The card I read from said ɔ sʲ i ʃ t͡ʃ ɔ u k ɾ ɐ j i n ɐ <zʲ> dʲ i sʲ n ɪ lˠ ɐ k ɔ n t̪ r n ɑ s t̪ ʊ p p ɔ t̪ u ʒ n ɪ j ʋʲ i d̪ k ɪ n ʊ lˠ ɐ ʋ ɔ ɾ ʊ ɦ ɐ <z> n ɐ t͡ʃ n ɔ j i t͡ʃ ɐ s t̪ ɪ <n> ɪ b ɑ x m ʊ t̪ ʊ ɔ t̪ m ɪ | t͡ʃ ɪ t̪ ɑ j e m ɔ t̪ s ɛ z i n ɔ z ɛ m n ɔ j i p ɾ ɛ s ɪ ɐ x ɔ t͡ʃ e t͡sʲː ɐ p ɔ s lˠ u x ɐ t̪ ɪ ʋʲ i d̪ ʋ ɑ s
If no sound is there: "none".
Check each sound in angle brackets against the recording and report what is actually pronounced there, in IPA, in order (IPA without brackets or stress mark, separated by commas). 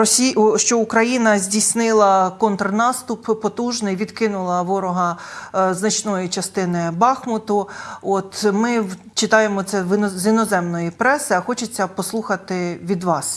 zʲ, z, n